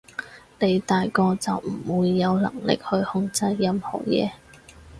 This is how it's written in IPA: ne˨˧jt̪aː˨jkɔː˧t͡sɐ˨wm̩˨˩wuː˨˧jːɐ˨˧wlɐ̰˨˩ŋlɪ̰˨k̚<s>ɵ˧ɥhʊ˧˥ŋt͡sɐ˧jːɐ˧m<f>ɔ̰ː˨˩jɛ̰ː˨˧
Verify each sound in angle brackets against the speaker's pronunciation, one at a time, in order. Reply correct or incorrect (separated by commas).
incorrect, incorrect